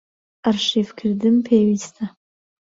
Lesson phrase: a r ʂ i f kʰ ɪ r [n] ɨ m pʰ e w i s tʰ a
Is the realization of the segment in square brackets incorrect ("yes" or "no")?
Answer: yes